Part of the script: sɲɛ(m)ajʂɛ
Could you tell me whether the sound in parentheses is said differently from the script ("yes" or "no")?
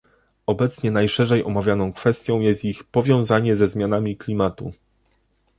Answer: yes